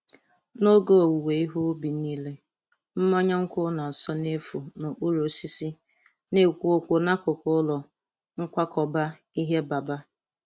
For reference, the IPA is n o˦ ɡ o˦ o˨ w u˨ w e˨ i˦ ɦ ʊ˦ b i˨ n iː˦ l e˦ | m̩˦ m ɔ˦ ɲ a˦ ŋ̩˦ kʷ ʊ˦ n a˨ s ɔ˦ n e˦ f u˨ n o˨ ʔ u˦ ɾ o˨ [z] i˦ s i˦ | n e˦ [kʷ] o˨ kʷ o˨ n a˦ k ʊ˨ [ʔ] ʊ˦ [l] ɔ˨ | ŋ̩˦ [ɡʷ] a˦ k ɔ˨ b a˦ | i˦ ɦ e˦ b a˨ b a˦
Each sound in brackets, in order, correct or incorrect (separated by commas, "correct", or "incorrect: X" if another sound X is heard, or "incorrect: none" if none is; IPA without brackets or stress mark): incorrect: s, correct, incorrect: k, correct, incorrect: kʷ